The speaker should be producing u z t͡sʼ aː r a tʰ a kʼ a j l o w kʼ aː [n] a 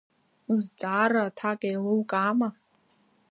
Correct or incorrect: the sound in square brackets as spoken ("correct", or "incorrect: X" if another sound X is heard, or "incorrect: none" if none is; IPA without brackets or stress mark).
incorrect: m